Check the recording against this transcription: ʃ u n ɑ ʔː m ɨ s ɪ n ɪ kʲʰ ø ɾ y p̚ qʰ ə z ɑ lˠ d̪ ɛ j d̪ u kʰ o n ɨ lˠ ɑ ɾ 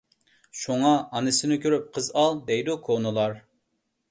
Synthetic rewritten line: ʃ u ŋ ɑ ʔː n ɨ s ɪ n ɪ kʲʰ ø ɾ y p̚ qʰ ə z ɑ lˠ d̪ ɛ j d̪ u kʰ o n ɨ lˠ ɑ ɾ